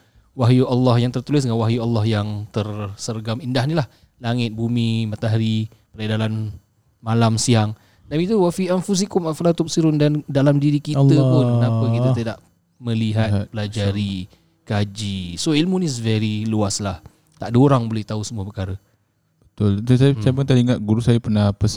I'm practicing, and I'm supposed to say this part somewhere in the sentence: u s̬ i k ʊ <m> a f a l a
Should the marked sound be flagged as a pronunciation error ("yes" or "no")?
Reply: no